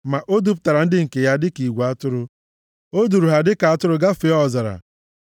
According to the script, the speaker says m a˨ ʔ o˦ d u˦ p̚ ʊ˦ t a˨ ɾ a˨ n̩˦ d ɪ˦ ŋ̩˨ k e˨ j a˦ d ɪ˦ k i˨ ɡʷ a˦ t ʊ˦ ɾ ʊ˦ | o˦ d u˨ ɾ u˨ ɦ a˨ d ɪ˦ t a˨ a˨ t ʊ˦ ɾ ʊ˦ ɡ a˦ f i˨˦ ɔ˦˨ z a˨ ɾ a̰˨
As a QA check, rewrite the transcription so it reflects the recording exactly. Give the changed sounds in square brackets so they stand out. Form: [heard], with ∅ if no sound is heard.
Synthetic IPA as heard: m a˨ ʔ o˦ d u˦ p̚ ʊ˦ t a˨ ɾ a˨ n̩˦ d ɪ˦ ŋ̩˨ k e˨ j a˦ d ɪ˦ k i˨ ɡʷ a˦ t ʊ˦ ɾ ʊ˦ | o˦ d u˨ ɾ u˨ ɦ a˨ d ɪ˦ [k] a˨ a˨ t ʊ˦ ɾ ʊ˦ ɡ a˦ f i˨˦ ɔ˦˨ z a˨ ɾ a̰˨